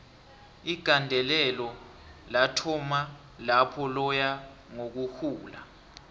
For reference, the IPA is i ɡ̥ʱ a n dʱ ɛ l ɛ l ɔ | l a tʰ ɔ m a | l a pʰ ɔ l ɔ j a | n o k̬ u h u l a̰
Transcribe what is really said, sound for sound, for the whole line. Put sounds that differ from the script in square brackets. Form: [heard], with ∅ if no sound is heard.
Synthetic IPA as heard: i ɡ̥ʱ a n dʱ ɛ l ɛ l ɔ | l a tʰ ɔ m a | l a pʰ ɔ l ɔ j a | [ŋ] o k̬ u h [uː] l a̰